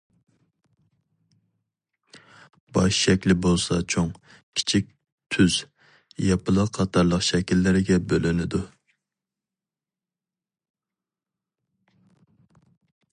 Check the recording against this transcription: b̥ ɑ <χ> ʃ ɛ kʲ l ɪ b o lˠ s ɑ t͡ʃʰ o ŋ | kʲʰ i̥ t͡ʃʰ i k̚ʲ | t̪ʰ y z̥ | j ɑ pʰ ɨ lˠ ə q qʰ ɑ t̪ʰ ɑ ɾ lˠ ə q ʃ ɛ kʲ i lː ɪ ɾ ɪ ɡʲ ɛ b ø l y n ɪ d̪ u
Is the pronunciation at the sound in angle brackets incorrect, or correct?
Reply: incorrect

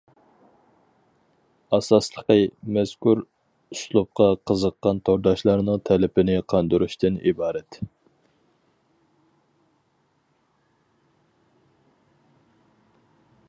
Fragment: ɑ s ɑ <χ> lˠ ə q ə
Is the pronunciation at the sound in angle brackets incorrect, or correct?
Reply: incorrect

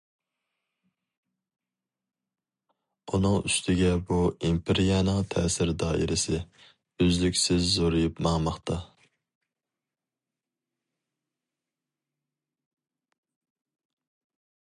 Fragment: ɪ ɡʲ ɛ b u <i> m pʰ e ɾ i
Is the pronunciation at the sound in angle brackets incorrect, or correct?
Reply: correct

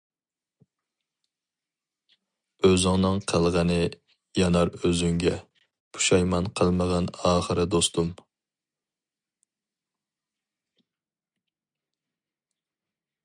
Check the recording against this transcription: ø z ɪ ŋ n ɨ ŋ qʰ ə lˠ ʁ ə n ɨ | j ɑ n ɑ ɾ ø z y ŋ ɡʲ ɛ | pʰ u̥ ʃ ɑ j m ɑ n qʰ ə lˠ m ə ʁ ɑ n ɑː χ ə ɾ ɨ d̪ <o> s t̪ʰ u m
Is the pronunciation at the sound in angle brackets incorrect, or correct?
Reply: correct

